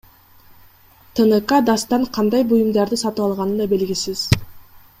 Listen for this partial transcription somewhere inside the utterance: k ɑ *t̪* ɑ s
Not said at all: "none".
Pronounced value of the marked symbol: d̪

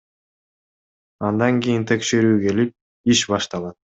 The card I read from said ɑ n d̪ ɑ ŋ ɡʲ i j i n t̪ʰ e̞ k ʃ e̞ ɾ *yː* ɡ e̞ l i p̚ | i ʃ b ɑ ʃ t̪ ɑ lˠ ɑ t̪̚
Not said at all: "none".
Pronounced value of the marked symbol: yː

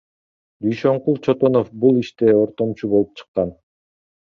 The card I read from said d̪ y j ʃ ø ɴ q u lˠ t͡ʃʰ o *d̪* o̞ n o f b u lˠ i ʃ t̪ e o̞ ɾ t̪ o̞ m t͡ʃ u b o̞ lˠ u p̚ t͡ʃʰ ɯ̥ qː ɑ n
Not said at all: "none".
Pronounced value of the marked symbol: t̪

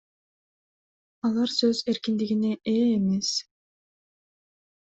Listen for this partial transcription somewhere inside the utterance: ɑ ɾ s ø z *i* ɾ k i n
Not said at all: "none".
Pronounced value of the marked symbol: e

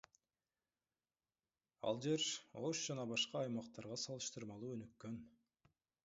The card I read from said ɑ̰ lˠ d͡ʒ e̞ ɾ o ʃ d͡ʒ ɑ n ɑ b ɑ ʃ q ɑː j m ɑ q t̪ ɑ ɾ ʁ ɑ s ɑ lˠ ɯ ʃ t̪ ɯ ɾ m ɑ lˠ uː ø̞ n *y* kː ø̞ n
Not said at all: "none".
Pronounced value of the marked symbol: y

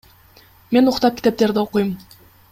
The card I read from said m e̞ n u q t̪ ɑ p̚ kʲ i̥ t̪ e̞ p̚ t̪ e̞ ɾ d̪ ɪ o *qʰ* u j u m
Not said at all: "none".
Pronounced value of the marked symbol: q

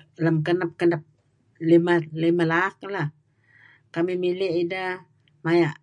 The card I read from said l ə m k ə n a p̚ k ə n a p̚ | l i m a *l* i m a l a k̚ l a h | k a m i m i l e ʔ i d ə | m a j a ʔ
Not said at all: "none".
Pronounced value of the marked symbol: l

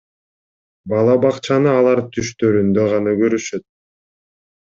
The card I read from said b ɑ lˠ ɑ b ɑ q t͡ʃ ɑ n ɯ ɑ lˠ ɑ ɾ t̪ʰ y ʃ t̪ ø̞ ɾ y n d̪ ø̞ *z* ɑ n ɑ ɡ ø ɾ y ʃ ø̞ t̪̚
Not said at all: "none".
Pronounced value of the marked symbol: ʁ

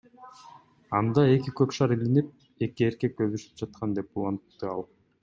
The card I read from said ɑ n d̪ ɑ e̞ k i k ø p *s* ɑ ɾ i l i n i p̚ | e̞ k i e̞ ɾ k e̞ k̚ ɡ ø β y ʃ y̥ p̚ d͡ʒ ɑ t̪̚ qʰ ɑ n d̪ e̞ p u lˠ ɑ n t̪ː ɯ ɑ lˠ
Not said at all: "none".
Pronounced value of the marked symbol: ʃ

